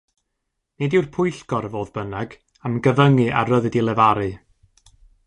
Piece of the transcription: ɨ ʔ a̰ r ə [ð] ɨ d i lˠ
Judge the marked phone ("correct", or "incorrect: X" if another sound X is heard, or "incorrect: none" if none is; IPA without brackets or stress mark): correct